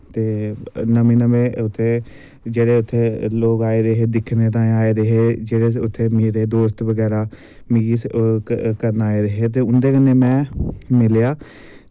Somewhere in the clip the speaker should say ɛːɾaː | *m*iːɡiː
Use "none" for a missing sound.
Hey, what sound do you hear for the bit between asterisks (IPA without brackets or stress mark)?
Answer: m